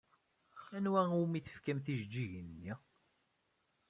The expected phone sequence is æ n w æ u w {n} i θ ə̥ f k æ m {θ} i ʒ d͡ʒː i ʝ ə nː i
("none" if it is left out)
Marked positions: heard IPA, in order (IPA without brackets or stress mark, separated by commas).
m, θ